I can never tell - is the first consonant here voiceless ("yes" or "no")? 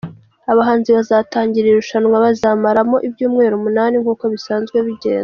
no